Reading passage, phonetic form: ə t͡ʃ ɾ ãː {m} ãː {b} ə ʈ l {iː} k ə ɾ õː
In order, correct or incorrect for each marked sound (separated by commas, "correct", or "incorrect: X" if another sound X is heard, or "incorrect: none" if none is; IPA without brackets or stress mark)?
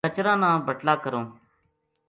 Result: incorrect: n, correct, incorrect: aː